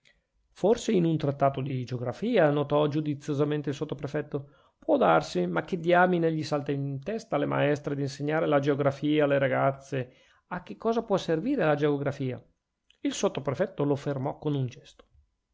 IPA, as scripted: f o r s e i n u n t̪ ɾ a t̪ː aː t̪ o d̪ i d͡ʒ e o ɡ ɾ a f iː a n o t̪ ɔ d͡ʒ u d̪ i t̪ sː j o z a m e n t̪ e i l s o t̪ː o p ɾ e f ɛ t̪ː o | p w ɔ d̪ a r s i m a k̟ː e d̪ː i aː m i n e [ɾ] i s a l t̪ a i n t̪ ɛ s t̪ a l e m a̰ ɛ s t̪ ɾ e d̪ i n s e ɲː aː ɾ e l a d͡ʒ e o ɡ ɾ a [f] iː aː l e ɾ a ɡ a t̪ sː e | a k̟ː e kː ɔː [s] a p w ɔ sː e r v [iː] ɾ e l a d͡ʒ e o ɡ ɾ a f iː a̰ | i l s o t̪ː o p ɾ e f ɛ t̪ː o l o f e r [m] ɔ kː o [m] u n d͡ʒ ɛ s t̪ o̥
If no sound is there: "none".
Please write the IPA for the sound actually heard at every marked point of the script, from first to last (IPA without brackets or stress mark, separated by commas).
ʎ, f, z, iː, m, n